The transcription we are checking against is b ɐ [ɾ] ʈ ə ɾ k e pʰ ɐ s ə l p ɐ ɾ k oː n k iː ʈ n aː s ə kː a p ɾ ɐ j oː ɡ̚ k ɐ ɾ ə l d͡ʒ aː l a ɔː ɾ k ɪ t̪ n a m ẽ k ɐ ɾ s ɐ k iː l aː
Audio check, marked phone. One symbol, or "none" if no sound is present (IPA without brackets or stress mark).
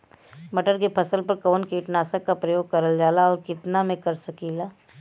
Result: none